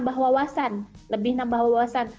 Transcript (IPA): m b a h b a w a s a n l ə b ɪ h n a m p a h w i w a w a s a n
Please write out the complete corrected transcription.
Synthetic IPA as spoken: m b a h w a w a s a n l ə b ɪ h n a m b a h w a w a w a s a n